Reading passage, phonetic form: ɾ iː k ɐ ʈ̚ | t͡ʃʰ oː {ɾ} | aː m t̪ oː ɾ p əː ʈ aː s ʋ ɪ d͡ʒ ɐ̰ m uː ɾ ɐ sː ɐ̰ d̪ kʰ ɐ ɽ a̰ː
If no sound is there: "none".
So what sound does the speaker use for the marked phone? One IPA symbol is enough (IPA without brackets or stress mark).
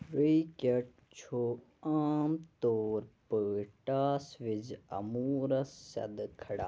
none